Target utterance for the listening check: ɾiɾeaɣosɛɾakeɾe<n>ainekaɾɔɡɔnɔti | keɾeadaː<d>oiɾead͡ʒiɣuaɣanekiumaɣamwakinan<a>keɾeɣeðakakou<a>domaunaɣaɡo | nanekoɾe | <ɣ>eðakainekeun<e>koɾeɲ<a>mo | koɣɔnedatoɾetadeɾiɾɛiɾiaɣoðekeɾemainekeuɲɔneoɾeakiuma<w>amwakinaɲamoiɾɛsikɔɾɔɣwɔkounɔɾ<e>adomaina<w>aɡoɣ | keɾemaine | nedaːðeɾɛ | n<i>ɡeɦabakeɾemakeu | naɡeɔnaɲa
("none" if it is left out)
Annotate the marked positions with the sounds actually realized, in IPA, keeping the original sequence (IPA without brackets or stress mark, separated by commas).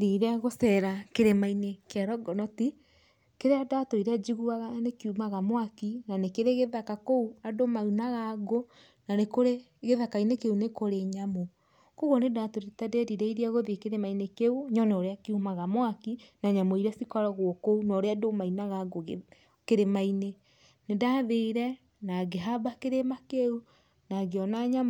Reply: m, t, e, a, ɣ, e, a, ɣ, e, ɣ, a